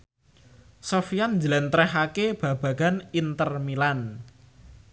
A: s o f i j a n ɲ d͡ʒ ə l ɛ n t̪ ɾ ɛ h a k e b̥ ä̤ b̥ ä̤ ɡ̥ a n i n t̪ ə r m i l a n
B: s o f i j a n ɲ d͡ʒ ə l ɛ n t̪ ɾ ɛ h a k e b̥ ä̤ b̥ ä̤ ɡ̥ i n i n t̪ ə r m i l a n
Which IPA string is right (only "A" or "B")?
A